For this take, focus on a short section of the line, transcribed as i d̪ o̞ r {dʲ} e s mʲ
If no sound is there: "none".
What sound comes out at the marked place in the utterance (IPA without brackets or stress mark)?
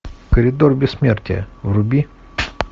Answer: bʲ